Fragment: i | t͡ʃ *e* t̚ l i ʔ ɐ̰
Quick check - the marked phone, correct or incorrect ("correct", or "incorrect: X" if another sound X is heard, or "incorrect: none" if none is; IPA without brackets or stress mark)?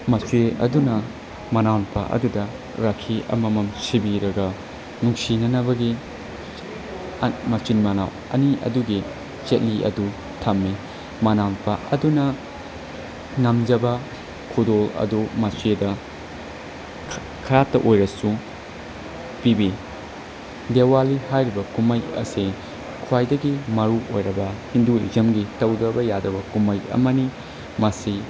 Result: correct